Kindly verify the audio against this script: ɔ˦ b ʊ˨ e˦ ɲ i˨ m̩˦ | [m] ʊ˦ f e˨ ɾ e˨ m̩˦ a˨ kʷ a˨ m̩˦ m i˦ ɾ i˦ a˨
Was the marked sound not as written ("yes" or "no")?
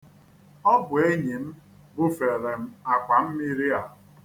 yes